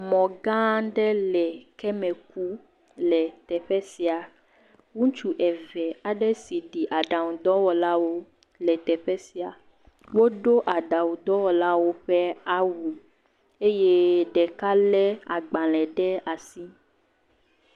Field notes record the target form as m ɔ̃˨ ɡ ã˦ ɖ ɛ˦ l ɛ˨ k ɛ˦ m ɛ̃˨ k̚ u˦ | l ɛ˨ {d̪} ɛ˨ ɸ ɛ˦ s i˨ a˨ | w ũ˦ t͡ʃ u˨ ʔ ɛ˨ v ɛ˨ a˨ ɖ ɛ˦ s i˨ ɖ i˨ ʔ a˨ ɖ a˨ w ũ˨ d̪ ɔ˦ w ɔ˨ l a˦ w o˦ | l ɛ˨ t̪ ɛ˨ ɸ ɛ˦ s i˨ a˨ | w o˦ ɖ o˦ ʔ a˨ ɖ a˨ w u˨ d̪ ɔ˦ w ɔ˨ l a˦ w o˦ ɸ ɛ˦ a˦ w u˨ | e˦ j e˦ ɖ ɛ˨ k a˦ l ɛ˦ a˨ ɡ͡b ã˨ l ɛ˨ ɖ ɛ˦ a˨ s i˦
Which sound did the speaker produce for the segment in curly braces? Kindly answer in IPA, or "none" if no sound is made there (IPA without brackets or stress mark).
t̪